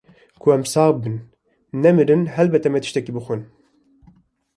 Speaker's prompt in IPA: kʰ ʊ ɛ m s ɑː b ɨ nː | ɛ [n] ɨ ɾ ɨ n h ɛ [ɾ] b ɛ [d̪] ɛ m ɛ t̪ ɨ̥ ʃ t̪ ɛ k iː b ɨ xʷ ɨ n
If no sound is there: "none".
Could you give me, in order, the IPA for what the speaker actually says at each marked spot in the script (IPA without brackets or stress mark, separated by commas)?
m, l, t̪